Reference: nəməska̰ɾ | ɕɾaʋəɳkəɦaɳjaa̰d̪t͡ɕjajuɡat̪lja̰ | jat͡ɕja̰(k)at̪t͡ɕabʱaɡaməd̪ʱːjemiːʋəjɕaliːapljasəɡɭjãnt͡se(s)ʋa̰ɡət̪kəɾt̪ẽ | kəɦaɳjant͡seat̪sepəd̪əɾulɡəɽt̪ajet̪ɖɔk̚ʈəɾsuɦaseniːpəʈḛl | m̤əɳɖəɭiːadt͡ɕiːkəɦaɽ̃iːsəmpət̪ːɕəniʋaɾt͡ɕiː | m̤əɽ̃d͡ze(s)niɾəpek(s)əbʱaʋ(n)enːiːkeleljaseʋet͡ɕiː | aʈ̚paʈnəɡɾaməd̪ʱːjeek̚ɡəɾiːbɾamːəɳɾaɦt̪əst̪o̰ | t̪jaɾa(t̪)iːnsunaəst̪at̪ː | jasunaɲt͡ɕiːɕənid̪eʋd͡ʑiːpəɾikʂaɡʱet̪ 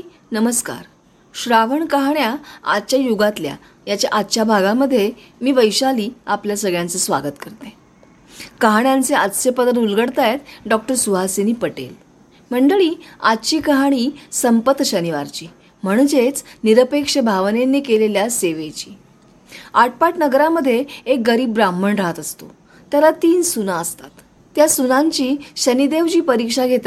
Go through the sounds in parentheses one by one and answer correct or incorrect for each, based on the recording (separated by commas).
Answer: incorrect, correct, incorrect, incorrect, correct, correct